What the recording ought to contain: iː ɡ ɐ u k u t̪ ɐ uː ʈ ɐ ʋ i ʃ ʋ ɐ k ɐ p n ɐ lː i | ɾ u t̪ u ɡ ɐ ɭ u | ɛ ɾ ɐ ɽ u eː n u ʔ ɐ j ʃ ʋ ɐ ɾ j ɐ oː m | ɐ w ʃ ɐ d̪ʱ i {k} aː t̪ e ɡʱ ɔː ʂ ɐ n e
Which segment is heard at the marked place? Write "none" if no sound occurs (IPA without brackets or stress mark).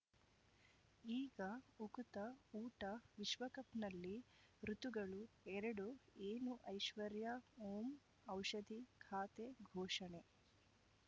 kʰ